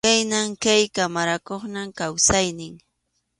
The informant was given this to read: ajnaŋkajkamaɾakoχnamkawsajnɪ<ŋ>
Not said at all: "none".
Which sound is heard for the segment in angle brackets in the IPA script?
ŋ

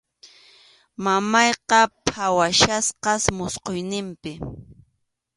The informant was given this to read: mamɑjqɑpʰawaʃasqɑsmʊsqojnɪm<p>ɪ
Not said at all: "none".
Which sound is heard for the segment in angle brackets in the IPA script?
p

